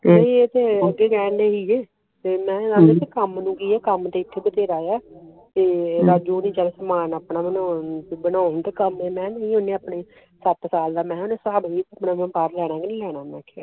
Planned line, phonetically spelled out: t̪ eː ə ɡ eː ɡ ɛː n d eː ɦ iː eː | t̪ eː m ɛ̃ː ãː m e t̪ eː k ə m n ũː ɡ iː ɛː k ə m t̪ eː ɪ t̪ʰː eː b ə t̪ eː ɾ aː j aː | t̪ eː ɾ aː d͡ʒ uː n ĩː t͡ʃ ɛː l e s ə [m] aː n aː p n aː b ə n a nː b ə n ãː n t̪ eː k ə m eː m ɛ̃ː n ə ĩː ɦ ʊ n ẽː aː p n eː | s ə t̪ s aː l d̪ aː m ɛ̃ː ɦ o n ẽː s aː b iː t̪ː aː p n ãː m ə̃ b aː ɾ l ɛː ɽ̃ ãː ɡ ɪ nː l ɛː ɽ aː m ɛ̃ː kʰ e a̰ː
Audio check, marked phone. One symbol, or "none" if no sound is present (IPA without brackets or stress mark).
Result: m